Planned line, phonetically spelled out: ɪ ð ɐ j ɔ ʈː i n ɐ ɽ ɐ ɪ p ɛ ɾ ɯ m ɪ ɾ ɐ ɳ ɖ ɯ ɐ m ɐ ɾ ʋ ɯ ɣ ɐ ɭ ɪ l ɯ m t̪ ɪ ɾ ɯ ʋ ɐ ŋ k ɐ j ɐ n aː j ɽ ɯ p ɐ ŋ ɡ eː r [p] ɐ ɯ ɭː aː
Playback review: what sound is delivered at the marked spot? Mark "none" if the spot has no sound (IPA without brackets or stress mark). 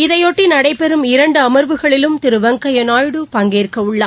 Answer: k